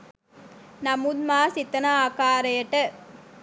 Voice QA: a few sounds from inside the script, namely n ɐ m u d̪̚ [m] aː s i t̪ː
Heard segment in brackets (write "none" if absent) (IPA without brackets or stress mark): m